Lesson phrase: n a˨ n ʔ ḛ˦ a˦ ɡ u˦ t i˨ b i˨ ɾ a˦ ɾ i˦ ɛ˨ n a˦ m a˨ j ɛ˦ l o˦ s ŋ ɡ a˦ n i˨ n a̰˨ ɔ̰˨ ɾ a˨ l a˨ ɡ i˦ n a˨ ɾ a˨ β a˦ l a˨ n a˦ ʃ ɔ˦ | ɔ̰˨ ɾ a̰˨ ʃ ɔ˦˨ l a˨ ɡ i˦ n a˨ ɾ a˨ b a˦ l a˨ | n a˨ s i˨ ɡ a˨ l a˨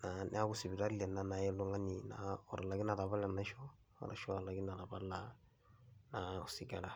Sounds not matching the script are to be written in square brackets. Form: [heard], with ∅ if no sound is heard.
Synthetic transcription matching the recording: n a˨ n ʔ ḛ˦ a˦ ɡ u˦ [s] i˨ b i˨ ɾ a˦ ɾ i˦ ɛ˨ n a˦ [n] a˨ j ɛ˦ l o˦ [∅] ŋ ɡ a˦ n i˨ n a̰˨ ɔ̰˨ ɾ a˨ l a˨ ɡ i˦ n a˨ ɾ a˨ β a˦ l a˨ n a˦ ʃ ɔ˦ | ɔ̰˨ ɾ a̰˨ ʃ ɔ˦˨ l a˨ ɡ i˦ n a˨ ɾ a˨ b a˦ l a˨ | n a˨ s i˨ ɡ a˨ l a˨

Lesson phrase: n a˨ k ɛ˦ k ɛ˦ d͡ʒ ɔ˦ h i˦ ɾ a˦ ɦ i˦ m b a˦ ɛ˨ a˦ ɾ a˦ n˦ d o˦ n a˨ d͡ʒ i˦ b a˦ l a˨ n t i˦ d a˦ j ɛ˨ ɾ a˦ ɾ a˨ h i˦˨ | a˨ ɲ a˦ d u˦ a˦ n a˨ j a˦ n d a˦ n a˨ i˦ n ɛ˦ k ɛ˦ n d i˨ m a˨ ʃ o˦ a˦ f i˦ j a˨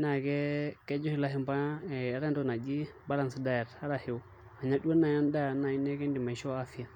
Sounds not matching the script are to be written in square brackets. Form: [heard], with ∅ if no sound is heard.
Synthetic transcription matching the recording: n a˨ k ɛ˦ k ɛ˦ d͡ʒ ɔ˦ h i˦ [l] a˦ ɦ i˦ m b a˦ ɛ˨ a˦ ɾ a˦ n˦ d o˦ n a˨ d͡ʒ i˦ b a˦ l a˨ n [s] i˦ d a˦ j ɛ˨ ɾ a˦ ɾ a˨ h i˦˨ | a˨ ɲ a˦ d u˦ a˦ n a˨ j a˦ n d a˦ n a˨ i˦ n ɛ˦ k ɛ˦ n d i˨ m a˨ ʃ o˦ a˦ f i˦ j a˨

